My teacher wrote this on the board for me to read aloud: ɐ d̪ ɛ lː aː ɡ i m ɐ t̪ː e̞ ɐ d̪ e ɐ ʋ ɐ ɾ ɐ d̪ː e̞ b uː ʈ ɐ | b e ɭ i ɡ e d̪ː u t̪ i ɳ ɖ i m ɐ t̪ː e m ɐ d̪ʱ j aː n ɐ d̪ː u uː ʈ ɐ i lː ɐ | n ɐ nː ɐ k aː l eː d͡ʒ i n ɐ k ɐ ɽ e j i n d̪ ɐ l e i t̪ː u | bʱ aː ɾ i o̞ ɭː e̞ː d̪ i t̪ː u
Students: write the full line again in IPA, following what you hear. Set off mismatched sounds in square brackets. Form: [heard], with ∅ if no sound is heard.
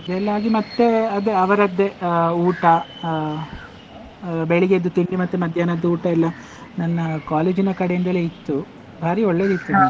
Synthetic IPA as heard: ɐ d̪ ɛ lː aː ɡ i m ɐ t̪ː e̞ ɐ d̪ e ɐ ʋ ɐ ɾ ɐ d̪ː e̞ [∅] uː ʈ ɐ | b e ɭ i ɡ e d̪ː u t̪ i ɳ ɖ i m ɐ t̪ː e m ɐ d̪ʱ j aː n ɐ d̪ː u uː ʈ ɐ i lː ɐ | n ɐ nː ɐ k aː l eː d͡ʒ i n ɐ k ɐ ɽ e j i n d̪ ɐ l e i t̪ː u | bʱ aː ɾ i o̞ ɭː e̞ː d̪ i t̪ː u